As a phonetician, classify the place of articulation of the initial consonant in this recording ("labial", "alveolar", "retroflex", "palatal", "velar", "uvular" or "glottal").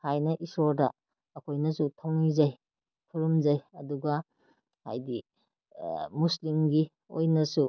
glottal